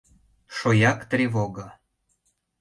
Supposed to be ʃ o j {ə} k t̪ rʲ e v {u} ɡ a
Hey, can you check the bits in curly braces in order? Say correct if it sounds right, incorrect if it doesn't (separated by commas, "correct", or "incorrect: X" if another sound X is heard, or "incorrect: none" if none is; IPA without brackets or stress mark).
incorrect: ɑ, incorrect: o